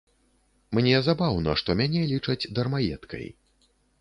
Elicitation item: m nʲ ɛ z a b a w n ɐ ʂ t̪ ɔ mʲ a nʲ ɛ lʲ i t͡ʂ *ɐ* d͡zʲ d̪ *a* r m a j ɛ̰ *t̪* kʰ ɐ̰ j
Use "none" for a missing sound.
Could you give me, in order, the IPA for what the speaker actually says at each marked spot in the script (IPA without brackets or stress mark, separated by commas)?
ɐ, ɐ, t̪